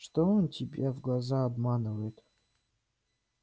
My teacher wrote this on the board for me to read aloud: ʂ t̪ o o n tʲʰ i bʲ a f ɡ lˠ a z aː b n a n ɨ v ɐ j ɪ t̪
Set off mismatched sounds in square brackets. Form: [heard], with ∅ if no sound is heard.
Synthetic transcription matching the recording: ʂ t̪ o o n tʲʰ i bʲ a [v] ɡ lˠ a z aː b [m] a n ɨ v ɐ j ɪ t̪